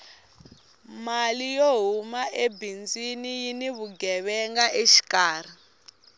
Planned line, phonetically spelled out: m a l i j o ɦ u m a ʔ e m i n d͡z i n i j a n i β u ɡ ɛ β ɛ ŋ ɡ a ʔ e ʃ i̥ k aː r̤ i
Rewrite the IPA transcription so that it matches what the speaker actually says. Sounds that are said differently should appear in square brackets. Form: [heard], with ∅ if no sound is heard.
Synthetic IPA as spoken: m a l i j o ɦ u m a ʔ e [b] i n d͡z i n i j [i] n i β u ɡ ɛ β ɛ ŋ ɡ a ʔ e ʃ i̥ k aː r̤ i